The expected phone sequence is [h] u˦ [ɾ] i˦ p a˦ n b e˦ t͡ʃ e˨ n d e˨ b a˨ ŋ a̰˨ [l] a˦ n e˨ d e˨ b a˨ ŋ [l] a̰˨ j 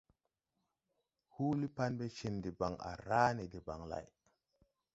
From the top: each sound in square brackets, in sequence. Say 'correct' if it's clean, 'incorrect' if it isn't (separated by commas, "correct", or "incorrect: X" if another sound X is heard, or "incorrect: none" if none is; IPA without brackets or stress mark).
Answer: correct, incorrect: l, incorrect: ɾ, correct